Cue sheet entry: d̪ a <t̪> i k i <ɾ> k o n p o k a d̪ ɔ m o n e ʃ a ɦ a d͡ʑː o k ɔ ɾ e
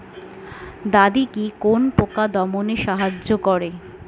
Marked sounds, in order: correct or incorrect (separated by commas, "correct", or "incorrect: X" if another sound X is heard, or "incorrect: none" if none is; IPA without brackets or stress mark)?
incorrect: d̪, incorrect: none